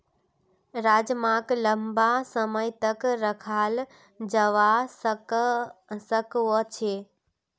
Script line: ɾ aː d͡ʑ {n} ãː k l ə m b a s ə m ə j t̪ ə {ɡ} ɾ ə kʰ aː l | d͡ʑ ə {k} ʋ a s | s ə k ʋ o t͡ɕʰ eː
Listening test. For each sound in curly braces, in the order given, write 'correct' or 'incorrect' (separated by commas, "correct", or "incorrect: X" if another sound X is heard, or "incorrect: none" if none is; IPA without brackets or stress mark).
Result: incorrect: m, incorrect: k, incorrect: none